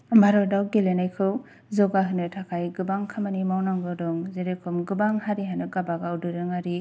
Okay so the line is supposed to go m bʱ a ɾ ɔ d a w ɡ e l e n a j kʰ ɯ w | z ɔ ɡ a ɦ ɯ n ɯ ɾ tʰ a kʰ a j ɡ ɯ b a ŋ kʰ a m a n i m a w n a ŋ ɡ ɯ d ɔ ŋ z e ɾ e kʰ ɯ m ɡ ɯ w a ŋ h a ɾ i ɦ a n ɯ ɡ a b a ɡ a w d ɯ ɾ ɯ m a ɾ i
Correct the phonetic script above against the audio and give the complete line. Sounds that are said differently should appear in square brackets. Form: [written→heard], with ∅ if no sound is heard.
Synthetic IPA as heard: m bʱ a ɾ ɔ d a w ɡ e l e n a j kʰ ɯ w | z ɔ ɡ a ɦ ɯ n ɯ [ɾ→∅] tʰ a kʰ a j ɡ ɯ b a ŋ kʰ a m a n i m a w n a ŋ ɡ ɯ d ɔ ŋ z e ɾ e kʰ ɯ m ɡ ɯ [w→b] a ŋ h a ɾ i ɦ a n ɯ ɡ a b a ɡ a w d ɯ ɾ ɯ [m→ŋ] a ɾ i